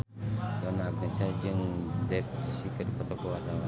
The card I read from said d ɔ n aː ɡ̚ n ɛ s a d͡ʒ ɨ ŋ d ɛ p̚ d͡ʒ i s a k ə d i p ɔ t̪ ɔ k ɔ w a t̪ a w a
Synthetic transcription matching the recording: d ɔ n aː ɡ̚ n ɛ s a d͡ʒ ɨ ŋ d ɛ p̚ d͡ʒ i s i k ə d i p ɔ t̪ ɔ k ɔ w a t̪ a w a